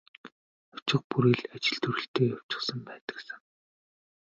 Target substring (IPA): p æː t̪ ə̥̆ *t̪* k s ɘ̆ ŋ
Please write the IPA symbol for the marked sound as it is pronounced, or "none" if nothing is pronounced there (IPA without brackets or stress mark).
none